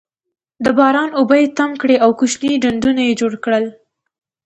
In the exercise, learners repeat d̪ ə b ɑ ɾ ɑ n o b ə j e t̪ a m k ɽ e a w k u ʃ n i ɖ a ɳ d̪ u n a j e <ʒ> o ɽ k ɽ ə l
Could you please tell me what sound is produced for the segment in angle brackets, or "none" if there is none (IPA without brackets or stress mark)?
d͡ʒ